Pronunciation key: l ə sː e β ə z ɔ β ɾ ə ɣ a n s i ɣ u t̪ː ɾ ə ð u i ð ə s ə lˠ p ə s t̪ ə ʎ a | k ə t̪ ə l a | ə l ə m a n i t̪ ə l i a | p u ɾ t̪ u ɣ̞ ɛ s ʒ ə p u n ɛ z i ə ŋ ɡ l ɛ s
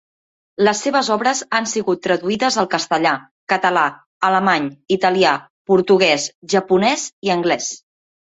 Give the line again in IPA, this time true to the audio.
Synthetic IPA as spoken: l ə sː e β ə z ɔ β ɾ ə z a n s i ɣ u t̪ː ɾ ə ð u i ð ə z ə lˠ k ə s t̪ ə ʎ a | k ə t̪ ə l a | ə l ə m a ɲ i t̪ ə l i a | p u ɾ t̪ u ɣ̞ ɛ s ʒ ə p u n ɛ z i ə ŋ ɡ l ɛ s